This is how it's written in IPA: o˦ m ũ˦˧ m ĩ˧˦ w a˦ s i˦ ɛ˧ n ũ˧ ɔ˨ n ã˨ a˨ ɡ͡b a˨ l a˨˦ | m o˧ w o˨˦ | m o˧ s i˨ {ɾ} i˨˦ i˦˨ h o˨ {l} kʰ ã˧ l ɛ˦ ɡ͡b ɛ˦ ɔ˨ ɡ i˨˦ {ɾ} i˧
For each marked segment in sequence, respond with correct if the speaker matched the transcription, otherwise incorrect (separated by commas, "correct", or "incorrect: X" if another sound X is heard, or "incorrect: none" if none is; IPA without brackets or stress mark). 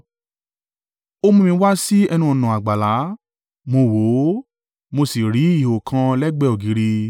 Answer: correct, incorrect: none, correct